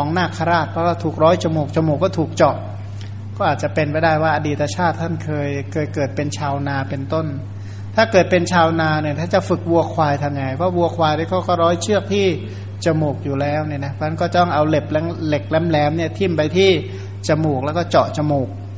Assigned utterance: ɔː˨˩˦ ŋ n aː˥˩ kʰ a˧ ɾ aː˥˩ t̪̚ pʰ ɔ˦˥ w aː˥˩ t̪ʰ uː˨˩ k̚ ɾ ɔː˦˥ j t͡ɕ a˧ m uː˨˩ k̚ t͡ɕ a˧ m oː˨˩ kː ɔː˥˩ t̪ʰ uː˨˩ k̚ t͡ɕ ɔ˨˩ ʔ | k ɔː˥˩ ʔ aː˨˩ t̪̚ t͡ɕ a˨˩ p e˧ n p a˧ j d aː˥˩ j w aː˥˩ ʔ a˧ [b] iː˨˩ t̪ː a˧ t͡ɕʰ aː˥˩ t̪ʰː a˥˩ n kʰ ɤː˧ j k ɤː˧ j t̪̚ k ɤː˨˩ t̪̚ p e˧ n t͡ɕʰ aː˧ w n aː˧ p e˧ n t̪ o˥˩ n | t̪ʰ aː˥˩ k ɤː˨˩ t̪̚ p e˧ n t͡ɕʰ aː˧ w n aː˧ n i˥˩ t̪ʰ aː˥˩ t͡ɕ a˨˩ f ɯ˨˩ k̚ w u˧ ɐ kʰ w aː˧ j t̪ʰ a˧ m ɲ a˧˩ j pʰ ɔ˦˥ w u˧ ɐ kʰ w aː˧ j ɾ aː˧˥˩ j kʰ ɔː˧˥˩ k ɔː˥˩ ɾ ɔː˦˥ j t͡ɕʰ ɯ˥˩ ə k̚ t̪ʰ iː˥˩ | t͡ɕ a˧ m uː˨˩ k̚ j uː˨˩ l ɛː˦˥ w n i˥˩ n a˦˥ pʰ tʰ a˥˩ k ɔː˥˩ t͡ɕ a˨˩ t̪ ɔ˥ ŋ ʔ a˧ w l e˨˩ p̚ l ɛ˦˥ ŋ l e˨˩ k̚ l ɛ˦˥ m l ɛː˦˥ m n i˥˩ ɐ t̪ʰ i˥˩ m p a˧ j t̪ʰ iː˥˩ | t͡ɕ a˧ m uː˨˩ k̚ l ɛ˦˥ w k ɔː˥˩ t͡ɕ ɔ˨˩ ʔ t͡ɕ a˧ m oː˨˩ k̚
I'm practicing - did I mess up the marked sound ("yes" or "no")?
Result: yes